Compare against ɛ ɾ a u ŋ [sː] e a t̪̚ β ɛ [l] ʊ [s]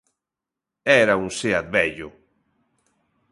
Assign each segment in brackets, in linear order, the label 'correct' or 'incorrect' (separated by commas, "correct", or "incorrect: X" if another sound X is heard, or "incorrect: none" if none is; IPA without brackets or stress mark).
incorrect: s, incorrect: ʎ, incorrect: none